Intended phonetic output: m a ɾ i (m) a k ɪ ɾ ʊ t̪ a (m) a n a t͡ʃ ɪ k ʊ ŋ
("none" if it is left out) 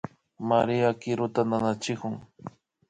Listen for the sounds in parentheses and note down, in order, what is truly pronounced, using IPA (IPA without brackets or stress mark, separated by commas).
none, n